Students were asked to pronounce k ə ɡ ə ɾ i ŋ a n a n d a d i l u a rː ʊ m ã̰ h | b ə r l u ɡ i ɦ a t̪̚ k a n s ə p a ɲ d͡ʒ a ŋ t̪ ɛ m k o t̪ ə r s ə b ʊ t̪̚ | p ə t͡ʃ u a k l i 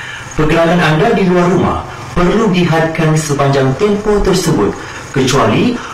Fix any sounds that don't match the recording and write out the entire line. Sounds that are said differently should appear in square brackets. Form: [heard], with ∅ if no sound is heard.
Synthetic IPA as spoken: [p] ə ɡ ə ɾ [a] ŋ a n a n d a d i l u a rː [u] m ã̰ h | [p] ə r l u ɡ i ɦ a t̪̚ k a n s ə p a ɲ d͡ʒ a ŋ t̪ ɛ m [p] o t̪ ə r s ə b ʊ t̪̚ | [k] ə t͡ʃ u a [∅] l i